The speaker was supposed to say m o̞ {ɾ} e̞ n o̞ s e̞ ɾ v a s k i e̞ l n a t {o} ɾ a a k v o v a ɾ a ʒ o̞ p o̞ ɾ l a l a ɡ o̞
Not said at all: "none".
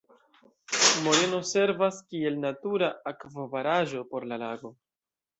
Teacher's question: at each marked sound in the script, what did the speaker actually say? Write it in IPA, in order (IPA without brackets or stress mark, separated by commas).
ɾ, u